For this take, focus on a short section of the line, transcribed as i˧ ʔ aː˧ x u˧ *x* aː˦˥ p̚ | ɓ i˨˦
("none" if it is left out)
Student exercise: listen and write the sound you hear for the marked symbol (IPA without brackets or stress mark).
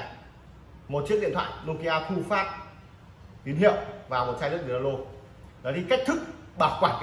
f